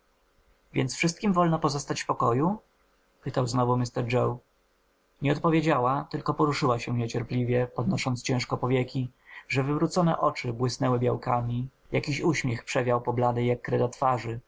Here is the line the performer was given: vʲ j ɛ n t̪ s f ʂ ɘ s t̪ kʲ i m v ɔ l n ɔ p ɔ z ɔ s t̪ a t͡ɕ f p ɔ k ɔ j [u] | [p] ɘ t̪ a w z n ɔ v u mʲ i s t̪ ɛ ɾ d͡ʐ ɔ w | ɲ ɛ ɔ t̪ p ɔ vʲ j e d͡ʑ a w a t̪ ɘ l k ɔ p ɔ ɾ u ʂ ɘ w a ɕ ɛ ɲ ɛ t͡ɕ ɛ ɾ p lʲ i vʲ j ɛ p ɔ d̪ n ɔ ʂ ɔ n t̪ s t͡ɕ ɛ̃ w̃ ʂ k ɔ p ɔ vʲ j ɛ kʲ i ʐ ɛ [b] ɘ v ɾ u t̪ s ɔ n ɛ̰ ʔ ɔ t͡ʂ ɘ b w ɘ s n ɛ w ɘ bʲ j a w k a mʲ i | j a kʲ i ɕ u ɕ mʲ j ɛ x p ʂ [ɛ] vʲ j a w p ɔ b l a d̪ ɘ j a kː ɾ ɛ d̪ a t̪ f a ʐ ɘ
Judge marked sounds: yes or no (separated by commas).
yes, yes, no, yes